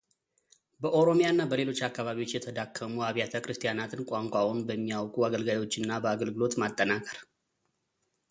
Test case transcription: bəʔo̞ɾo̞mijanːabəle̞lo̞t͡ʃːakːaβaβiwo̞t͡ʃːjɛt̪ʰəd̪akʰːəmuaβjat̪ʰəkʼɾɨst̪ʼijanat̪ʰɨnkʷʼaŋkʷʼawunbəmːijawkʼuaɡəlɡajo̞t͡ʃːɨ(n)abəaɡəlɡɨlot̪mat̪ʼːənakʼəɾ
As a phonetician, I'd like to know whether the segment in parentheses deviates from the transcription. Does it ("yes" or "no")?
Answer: yes